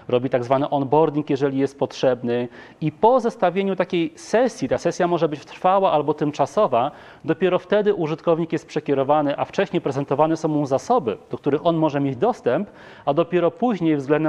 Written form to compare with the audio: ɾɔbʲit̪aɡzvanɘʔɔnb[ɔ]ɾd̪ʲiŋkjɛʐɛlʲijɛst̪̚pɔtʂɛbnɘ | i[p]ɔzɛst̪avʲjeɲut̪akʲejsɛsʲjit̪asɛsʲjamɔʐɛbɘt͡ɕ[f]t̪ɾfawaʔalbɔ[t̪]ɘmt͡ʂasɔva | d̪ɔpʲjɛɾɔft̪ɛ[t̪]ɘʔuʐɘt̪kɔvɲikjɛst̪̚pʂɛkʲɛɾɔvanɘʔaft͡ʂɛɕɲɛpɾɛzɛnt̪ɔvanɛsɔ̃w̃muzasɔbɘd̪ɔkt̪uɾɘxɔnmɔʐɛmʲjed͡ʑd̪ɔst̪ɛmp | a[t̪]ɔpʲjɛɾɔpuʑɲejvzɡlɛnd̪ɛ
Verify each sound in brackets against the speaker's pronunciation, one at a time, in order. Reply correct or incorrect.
correct, correct, correct, correct, incorrect, incorrect

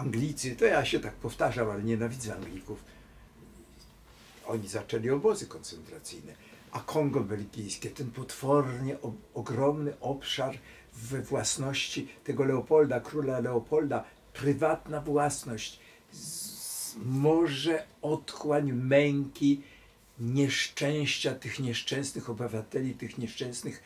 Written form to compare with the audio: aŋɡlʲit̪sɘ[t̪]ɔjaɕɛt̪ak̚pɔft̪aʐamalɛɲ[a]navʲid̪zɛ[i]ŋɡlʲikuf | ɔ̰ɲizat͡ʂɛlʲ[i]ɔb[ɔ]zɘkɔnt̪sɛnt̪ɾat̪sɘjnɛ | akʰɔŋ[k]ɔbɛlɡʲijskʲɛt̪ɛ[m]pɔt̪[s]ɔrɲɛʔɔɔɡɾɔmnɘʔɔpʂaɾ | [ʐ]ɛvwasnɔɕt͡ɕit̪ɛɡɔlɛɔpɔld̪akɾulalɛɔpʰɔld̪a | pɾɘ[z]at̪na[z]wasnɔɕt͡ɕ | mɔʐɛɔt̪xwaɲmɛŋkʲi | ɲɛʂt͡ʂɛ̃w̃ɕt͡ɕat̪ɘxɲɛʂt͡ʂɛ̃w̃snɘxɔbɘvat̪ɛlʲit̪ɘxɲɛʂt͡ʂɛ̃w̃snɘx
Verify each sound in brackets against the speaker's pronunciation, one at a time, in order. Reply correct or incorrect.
correct, incorrect, incorrect, correct, correct, incorrect, incorrect, incorrect, incorrect, incorrect, incorrect

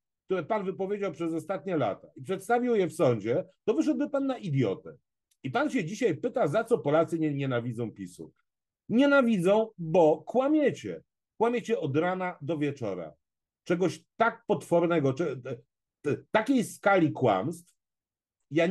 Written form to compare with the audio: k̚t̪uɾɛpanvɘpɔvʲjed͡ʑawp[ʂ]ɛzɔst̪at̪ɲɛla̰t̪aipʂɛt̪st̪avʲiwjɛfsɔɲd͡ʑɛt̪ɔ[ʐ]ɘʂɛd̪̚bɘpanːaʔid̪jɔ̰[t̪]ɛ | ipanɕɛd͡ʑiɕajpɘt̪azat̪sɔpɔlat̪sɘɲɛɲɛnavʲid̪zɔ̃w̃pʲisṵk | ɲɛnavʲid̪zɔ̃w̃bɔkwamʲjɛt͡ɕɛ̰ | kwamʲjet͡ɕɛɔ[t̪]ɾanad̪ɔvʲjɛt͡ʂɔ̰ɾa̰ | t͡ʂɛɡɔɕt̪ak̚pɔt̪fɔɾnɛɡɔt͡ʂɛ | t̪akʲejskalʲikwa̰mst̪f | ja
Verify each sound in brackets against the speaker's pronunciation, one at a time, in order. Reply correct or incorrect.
correct, incorrect, correct, incorrect

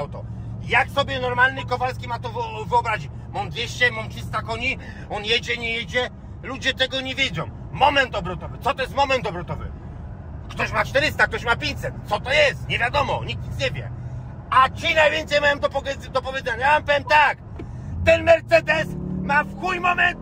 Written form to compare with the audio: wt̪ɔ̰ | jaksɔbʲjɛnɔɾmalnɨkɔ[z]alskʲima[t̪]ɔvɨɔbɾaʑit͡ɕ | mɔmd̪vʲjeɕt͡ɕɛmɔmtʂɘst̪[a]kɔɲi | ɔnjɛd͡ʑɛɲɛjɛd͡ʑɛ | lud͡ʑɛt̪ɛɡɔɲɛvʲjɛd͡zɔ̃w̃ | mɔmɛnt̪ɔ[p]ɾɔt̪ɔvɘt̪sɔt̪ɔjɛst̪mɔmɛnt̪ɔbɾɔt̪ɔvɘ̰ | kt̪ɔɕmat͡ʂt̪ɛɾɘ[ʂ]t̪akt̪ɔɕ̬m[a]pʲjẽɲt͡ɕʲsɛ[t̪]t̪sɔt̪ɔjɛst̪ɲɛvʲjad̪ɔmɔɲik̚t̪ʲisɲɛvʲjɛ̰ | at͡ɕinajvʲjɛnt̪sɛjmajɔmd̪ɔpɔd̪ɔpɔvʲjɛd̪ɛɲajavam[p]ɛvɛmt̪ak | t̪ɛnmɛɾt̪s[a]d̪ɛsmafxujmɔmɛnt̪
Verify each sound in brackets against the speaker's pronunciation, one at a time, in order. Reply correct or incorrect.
incorrect, correct, correct, incorrect, incorrect, correct, correct, correct, incorrect

